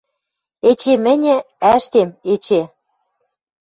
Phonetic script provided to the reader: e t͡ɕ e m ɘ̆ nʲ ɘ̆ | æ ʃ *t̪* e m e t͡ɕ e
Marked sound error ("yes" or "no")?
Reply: no